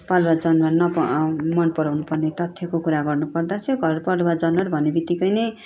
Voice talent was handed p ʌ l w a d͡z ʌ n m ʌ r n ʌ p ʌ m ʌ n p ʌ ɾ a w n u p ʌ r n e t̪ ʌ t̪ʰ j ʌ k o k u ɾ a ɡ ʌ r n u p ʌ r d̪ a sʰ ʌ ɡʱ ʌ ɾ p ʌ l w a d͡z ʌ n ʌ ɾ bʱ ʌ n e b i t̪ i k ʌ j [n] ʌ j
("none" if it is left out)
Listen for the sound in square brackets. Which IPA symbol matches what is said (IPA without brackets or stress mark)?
n